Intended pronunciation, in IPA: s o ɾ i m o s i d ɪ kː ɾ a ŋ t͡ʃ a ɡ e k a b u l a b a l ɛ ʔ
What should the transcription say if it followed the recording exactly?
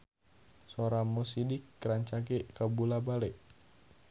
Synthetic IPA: s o ɾ a m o s i d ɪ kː ɾ a ɲ t͡ʃ a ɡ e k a b u l a b a l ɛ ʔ

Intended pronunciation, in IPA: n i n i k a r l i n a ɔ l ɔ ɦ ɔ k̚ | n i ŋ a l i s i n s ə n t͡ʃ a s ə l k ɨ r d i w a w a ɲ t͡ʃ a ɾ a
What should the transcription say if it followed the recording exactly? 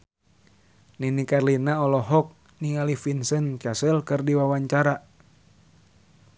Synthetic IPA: n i n i k a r l i n a ɔ l ɔ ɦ ɔ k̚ | n i ŋ a l i f i n s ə n t͡ʃ a s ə l k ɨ r d i w a w a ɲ t͡ʃ a ɾ a

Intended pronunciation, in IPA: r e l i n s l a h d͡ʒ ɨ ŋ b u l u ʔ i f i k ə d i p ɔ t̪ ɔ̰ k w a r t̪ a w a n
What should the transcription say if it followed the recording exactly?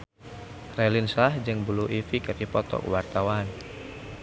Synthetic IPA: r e l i n s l a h d͡ʒ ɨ ŋ b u l u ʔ i f i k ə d i p ɔ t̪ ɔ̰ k w a r t̪ a w a n

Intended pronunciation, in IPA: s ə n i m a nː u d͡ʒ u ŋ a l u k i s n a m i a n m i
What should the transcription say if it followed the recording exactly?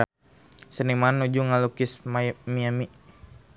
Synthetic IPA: s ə n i m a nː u d͡ʒ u ŋ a l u k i s m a m i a m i

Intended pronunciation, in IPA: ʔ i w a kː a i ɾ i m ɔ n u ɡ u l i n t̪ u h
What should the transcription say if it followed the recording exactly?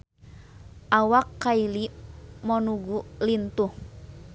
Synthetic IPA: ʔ a w a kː a i l i m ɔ n u ɡ u l i n t̪ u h

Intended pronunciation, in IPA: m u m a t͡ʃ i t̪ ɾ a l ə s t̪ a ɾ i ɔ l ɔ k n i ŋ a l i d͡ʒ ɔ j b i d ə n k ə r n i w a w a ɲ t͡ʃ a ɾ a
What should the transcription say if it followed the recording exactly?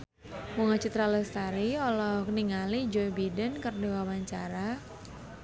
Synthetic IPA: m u ŋ a t͡ʃ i t̪ ɾ a l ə s t̪ a ɾ i ɔ l ɔ k n i ŋ a l i d͡ʒ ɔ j b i d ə n k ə r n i w a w a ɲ t͡ʃ a ɾ a

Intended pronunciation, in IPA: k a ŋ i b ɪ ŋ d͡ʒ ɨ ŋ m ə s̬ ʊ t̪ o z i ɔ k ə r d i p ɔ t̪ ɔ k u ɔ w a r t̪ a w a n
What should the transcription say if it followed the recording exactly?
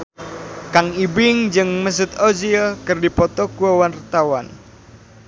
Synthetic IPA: k a ŋ i b ɪ ŋ d͡ʒ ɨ ŋ m ə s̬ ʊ t̪ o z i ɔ k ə r d i p ɔ t̪ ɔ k u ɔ w a r t̪ a w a n

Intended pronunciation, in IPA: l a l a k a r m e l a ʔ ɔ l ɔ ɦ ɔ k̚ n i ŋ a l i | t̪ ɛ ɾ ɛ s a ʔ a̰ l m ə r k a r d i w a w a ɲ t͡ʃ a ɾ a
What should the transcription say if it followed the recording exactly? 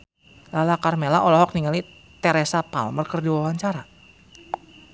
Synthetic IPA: l a l a k a r m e l a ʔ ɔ l ɔ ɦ ɔ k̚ n i ŋ a l i | t̪ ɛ ɾ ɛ s a p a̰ l m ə r k ə r d i w a w a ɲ t͡ʃ a ɾ a

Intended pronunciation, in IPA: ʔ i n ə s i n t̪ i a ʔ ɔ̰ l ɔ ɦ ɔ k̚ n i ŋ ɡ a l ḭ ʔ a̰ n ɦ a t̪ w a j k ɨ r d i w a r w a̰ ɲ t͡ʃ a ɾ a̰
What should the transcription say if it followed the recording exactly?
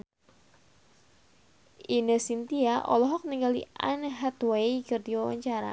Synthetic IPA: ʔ i n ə s i n t̪ i a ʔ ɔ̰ l ɔ ɦ ɔ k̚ n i ŋ ɡ a l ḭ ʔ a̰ n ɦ a t̪ w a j k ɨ r d i w a w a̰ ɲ t͡ʃ a ɾ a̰

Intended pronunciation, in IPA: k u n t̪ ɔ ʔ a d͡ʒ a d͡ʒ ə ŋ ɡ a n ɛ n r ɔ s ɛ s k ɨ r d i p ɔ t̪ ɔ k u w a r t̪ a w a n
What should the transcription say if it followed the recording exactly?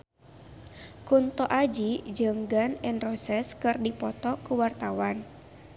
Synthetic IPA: k u n t̪ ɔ ʔ a d͡ʒ i d͡ʒ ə ŋ ɡ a n ɛ n r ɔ s ɛ s k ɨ r d i p ɔ t̪ ɔ k u w a r t̪ a w a n

